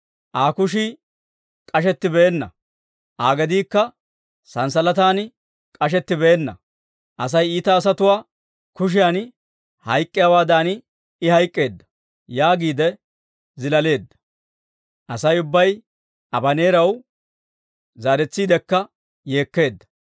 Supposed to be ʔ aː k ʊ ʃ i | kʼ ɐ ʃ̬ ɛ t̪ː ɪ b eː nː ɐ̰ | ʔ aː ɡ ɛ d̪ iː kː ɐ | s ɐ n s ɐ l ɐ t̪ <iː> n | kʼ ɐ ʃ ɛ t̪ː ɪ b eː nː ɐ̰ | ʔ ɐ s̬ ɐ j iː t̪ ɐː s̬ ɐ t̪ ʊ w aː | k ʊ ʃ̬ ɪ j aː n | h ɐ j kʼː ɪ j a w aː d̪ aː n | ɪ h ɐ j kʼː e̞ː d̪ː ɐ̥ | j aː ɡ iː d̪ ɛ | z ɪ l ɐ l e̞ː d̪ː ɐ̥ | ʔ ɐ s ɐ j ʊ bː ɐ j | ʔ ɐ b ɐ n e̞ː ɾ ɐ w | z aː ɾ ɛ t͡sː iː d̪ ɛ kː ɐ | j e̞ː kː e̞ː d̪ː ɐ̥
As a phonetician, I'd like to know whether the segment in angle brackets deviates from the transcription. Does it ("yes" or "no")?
yes